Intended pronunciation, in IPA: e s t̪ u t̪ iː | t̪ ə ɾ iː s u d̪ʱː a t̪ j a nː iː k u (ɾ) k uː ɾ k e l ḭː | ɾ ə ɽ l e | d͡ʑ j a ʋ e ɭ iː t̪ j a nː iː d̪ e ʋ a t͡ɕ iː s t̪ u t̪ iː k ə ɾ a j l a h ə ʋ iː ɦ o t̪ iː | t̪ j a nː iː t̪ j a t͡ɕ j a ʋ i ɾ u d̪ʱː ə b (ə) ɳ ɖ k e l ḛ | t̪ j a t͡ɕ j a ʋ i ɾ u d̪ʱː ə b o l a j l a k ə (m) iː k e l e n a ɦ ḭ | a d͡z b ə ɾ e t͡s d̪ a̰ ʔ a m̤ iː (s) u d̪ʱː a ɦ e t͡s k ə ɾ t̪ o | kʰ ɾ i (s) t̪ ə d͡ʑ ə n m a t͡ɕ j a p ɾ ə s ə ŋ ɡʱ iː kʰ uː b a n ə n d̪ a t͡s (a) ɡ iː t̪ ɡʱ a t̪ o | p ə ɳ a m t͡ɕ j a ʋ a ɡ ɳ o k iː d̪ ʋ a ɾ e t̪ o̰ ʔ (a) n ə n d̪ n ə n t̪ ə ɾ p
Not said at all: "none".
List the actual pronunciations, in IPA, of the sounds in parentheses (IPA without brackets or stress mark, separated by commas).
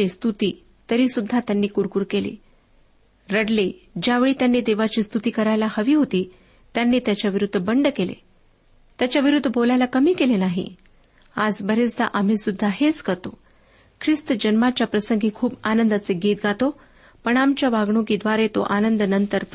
ɾ, ə, m, s, s, e, a